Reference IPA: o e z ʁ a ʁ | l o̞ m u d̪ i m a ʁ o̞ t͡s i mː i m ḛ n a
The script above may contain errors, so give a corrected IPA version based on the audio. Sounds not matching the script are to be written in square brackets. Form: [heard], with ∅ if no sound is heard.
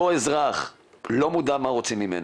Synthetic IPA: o e z ʁ a [χ] | l o̞ m u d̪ [a] m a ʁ o̞ t͡s i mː i m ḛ n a